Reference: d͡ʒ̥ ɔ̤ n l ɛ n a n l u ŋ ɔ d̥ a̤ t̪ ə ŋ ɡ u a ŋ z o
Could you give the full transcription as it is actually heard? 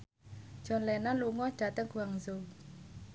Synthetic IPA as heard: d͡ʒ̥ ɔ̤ n l ɛ n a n l u ŋ ɔ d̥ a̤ t̪ ə ŋ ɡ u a ŋ z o